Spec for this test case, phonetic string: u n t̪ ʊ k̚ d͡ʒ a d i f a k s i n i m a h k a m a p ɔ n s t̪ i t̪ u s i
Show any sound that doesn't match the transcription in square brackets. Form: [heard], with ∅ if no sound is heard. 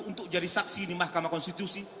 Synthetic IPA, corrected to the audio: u n t̪ ʊ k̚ d͡ʒ a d i [s] a k s i n i m a h k a m a [k] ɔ n s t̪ i t̪ u s i